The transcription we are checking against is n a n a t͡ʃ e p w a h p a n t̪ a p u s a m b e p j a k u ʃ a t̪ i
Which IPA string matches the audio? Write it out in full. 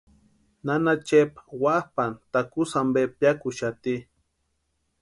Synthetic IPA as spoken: n a n a t͡ʃ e p w a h p a n t̪ a k u s a m b e p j a k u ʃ a t̪ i